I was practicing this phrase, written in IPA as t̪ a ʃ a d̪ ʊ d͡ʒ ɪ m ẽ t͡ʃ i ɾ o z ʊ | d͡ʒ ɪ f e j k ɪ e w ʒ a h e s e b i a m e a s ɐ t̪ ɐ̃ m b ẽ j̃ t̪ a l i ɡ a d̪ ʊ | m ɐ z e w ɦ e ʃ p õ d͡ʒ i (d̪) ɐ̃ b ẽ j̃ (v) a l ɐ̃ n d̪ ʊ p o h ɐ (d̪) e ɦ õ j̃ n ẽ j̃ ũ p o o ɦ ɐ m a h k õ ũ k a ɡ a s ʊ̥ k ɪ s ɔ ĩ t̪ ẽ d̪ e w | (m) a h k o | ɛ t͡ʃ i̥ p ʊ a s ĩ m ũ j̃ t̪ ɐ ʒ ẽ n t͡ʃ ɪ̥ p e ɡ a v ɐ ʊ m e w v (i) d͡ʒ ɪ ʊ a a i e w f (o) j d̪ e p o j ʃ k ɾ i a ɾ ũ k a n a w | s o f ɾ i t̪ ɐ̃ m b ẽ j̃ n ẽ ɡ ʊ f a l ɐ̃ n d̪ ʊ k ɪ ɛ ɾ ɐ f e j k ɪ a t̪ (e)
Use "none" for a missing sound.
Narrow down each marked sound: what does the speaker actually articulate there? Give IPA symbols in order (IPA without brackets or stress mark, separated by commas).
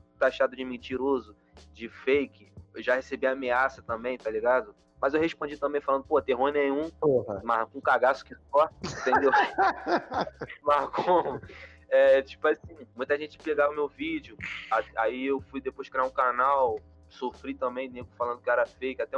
t̪, f, t̪, m, i, u, ɛ